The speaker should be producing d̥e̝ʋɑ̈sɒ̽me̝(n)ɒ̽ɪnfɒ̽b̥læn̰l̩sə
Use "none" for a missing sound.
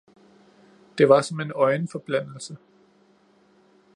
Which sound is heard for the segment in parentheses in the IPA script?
n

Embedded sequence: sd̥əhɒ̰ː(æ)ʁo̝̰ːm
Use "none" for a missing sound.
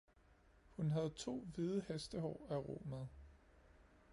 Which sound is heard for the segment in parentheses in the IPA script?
æ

